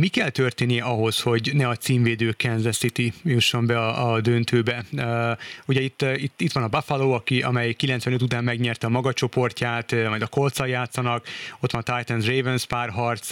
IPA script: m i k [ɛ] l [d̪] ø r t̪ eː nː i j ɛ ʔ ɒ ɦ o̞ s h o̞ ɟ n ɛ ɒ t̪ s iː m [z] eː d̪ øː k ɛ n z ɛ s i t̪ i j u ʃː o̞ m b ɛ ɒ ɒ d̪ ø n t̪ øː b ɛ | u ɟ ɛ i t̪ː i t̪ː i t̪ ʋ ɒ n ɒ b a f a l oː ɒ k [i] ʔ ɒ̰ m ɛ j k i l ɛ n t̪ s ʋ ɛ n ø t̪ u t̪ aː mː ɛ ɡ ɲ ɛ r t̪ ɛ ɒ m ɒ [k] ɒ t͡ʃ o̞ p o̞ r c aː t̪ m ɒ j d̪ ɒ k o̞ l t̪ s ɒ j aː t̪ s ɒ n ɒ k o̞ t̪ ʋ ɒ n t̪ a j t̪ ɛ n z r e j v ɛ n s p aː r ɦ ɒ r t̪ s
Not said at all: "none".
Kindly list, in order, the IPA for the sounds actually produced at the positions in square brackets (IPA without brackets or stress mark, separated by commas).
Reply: ɛ, t̪, v, i, ɡ